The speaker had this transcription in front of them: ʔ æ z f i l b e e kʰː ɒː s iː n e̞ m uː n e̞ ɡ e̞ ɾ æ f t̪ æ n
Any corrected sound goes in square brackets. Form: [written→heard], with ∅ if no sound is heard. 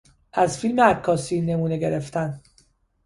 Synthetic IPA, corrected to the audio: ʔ æ z f i l [b→m] e [e→æ] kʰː ɒː s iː n e̞ m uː n e̞ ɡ e̞ ɾ [æ→e] f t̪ æ n